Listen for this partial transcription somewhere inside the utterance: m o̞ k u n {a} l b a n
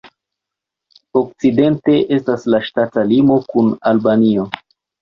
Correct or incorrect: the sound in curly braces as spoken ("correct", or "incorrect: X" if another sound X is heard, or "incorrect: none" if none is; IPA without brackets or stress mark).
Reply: correct